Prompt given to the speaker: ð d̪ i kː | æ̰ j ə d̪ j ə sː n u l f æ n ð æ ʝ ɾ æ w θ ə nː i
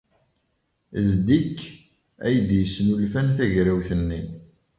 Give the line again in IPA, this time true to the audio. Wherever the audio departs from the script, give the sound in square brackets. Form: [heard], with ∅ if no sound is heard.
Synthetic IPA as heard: ð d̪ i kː | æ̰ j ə d̪ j ə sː n u l f æ n [θ] æ ʝ ɾ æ w θ ə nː i